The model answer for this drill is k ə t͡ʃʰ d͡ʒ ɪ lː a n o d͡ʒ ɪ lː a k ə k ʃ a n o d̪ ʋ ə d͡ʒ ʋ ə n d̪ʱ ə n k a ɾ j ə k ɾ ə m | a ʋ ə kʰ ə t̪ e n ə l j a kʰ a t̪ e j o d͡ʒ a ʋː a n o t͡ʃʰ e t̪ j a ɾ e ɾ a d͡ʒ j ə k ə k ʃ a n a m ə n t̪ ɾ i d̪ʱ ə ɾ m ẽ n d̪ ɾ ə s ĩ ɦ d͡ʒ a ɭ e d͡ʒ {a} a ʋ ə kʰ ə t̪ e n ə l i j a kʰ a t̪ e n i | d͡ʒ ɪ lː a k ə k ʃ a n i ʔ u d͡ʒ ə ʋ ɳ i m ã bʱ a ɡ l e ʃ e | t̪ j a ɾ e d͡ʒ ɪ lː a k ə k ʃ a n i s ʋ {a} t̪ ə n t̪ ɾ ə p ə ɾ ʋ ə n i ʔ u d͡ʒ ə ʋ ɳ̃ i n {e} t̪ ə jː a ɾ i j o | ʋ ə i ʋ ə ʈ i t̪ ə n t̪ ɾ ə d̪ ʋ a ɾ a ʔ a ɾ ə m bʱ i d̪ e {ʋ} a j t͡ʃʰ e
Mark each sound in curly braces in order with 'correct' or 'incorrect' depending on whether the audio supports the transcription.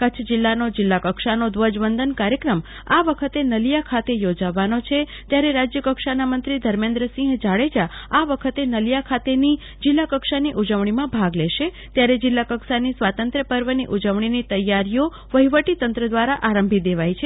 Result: correct, correct, incorrect, correct

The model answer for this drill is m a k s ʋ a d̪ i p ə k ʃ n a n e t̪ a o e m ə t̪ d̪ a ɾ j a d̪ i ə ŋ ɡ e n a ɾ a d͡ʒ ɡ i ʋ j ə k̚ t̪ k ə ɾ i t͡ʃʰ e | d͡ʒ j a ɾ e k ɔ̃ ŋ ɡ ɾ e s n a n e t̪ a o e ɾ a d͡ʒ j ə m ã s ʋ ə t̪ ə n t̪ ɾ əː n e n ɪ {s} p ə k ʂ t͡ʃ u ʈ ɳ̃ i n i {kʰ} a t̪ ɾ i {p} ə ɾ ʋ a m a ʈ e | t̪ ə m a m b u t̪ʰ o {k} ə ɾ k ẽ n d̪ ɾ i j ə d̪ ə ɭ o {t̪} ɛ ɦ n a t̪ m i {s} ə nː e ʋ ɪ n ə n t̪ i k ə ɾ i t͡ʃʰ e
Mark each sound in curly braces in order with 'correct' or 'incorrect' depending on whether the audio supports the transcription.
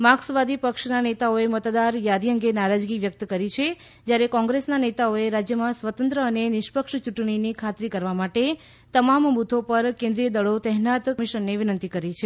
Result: incorrect, correct, incorrect, incorrect, correct, incorrect

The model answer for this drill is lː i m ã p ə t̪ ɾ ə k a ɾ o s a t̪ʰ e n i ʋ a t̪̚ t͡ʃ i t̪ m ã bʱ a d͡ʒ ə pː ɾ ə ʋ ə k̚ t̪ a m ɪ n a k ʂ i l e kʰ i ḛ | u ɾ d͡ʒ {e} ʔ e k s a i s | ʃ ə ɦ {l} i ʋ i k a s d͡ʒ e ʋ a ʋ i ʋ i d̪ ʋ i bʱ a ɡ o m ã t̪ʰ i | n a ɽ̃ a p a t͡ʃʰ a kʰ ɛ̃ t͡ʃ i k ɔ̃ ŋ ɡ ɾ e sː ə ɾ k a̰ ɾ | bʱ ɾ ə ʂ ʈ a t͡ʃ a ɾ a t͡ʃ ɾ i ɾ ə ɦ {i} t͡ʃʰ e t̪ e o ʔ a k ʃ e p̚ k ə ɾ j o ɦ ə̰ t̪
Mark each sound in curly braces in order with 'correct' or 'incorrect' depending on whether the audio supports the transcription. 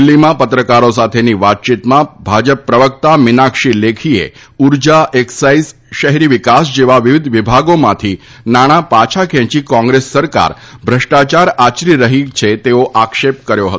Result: incorrect, incorrect, correct

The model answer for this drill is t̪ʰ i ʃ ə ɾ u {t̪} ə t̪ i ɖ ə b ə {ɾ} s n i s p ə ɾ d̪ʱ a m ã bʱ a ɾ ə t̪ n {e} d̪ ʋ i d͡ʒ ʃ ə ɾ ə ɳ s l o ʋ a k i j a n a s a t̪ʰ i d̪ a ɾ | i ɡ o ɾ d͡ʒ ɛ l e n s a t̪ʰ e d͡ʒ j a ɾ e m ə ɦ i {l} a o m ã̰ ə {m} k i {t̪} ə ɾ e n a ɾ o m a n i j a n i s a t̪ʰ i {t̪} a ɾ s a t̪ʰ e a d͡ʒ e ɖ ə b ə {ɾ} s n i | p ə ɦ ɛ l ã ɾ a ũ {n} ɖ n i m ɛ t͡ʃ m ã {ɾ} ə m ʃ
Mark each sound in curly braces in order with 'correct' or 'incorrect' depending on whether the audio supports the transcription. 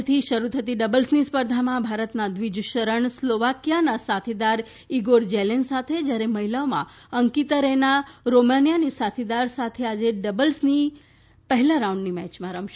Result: incorrect, incorrect, incorrect, correct, incorrect, correct, incorrect, incorrect, incorrect, correct

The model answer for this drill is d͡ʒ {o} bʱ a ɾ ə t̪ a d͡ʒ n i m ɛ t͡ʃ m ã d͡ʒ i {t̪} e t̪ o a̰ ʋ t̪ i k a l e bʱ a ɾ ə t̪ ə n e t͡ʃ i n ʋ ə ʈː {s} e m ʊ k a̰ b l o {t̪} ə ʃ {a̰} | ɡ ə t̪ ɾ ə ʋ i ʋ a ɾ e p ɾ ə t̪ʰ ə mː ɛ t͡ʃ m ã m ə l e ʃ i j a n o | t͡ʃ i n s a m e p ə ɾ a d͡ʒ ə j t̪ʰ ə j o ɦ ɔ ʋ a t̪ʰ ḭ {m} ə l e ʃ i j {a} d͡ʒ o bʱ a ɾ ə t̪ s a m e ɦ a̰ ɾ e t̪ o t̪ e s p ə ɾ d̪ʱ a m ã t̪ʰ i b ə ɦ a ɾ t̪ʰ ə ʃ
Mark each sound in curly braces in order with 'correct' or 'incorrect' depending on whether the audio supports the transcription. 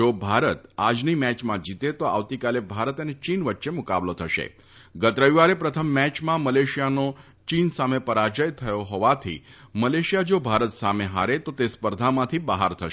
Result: correct, correct, incorrect, incorrect, incorrect, correct, correct

